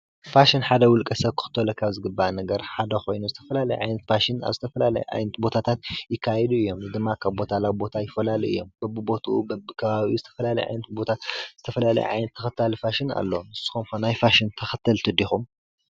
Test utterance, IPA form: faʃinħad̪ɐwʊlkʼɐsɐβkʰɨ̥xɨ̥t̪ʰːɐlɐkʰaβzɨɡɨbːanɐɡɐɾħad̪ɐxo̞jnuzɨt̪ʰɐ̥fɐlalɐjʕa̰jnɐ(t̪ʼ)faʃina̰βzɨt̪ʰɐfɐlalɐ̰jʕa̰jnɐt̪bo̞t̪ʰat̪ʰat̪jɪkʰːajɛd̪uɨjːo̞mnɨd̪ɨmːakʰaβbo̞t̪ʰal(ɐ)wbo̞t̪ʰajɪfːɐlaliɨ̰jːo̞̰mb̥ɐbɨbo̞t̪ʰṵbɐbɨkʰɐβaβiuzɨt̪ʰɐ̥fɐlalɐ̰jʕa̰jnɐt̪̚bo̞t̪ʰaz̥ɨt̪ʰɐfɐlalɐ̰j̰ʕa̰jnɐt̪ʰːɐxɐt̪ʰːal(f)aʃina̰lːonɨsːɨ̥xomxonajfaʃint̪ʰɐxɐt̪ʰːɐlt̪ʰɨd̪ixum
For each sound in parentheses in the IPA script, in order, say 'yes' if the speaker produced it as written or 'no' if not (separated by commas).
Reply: no, no, yes